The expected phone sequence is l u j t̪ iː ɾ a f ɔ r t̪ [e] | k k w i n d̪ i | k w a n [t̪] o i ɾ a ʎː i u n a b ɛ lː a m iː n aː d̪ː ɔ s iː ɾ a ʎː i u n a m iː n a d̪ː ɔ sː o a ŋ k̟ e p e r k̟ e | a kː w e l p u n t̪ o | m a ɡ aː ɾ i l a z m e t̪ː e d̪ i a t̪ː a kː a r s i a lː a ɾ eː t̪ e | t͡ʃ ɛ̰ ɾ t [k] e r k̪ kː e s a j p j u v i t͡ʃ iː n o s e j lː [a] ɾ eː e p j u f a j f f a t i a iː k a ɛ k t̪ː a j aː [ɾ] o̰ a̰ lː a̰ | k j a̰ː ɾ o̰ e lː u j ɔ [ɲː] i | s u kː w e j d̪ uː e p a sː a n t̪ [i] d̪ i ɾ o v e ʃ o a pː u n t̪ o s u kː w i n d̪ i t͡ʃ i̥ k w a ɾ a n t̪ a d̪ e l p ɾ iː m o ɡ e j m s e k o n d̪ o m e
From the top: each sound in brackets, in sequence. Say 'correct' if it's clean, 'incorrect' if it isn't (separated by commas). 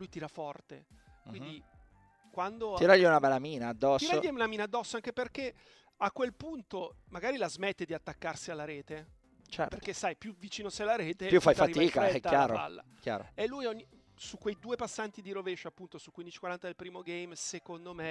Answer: correct, incorrect, incorrect, correct, correct, correct, correct